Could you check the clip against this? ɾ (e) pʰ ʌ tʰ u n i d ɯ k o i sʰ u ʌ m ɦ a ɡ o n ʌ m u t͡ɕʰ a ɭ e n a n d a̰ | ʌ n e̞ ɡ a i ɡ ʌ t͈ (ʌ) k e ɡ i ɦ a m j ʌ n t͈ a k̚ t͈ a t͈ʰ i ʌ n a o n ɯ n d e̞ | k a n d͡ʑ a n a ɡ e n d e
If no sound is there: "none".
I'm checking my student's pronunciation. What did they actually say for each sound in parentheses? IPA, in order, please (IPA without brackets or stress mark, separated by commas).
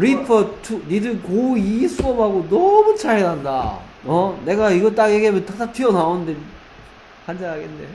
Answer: i, a